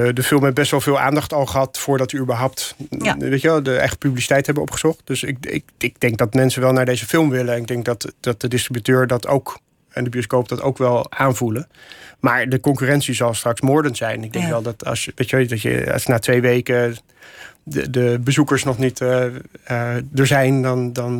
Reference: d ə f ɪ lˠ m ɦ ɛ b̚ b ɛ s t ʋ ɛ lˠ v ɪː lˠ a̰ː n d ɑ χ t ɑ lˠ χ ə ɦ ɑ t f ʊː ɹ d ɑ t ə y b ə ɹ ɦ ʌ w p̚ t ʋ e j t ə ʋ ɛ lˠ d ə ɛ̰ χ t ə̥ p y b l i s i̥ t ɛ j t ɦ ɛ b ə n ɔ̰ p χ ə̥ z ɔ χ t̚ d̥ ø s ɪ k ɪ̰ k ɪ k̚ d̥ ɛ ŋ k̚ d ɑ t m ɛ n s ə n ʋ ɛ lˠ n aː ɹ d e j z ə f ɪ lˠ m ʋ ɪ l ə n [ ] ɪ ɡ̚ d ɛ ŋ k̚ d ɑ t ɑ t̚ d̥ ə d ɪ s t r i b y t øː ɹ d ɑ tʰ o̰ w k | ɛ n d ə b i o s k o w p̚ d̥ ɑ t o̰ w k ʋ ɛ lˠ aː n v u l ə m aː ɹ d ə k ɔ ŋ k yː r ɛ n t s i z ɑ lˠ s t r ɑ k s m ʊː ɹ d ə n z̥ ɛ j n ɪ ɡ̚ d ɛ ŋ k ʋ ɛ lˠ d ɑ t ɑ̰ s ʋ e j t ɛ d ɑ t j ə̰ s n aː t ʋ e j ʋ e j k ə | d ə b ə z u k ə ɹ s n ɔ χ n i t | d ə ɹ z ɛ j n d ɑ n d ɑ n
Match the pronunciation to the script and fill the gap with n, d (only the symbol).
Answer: n